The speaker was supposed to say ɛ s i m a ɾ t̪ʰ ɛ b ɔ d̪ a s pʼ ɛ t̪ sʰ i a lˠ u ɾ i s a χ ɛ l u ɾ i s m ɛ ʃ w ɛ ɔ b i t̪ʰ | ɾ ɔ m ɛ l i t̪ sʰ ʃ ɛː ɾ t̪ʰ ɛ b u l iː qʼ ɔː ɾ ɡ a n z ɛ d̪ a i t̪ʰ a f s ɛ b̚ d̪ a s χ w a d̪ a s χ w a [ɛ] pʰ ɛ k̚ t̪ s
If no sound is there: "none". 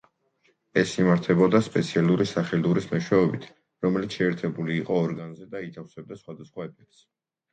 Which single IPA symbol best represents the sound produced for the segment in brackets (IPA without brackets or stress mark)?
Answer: ɛ